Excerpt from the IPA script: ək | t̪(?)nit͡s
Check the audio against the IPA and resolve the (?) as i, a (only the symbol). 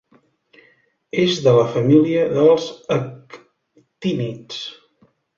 i